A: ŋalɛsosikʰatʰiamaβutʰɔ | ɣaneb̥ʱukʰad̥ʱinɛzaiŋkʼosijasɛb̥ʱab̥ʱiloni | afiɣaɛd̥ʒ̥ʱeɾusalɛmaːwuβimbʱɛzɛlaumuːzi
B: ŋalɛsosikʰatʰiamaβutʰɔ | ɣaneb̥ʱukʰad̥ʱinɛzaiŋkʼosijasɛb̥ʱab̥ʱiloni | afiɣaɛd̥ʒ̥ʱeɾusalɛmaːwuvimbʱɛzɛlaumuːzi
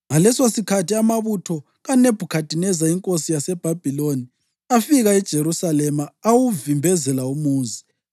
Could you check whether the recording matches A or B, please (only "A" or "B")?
B